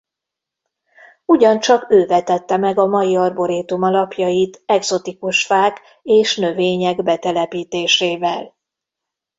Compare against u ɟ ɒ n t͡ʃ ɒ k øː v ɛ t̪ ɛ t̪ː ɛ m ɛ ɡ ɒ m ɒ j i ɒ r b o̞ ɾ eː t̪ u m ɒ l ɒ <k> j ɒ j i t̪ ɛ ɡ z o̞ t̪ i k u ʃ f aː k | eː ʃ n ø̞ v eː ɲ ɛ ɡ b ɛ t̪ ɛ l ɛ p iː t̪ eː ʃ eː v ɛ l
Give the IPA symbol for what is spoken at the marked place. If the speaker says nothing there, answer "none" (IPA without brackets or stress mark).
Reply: p